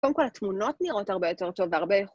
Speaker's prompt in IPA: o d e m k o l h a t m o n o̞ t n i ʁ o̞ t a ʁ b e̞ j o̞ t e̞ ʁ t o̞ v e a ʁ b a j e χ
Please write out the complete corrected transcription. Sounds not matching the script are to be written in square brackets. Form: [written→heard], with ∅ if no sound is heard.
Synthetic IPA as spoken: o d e m k o l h a t m [o→u] n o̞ t n i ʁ o̞ t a ʁ b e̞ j o̞ t e̞ ʁ t o̞ v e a ʁ b [a→e] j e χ